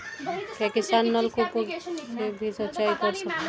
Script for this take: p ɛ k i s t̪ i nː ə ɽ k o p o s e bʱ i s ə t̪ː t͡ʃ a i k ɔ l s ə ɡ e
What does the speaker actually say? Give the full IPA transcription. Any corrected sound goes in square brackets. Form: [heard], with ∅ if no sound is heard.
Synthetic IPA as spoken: p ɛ k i s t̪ [a] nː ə [l] k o p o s e bʱ i s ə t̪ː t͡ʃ a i k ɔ [ɾ] s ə [k] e